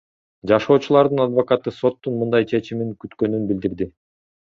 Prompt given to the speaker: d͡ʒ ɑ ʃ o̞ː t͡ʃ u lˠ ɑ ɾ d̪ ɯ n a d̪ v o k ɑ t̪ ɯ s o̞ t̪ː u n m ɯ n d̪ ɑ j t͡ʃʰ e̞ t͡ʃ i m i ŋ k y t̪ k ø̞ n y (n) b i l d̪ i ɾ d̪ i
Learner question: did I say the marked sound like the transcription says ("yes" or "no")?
yes